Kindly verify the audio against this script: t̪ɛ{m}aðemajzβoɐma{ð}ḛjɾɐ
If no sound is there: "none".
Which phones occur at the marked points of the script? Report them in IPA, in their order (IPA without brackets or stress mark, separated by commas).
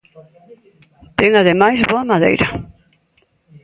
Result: ŋ, ð